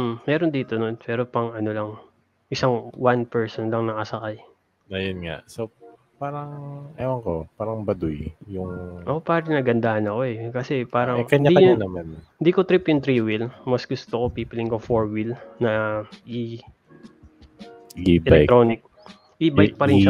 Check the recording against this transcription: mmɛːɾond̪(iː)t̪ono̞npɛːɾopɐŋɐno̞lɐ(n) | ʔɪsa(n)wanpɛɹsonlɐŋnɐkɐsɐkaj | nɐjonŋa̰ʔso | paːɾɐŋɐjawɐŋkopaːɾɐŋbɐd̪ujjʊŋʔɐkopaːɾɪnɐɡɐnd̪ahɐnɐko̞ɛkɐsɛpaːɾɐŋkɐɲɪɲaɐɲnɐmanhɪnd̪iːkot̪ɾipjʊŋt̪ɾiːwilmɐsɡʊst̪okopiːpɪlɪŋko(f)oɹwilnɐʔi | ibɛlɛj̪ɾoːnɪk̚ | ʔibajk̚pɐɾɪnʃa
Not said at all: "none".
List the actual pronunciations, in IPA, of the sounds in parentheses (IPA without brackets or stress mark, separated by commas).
iː, ŋ, ŋ, f